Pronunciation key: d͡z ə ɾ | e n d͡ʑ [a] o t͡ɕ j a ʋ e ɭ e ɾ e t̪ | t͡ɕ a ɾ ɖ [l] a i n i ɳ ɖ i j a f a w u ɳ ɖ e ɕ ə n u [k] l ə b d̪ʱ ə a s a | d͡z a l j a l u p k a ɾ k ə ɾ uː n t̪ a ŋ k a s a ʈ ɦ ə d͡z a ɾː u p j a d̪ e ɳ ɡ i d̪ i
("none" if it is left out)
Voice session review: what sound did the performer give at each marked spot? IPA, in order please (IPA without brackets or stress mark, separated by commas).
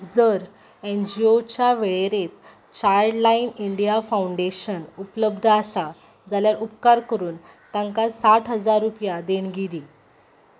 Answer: i, l, p